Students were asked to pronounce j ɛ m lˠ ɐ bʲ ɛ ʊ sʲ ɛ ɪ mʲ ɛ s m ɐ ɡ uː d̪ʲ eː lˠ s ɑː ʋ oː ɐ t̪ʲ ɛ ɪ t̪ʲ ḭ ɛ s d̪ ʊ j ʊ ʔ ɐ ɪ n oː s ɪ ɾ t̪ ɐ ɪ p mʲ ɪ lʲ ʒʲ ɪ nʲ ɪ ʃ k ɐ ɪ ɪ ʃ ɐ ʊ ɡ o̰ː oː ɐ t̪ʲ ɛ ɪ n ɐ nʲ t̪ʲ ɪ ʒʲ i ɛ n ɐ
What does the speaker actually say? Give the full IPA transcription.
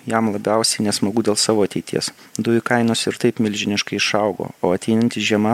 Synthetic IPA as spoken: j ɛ m lˠ ɐ bʲ ɛ ʊ sʲ ɛ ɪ nʲ ɛ s m ɐ ɡ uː d̪ʲ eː lˠ s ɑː ʋ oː ɐ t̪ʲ ɛ ɪ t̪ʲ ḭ ɛ s d̪ ʊ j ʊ k ɐ ɪ n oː s ɪ ɾ t̪ ɐ ɪ p mʲ ɪ lʲ ʒʲ ɪ nʲ ɪ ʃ k ɐ ɪ ɪ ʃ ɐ ʊ ɡ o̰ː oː ɐ t̪ʲ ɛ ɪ n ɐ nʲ t̪ʲ ɪ ʒʲ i ɛ m ɐ